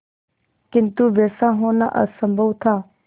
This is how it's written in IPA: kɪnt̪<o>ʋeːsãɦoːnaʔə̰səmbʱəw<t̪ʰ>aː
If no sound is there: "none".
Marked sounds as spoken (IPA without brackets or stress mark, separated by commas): u, t̪ʰ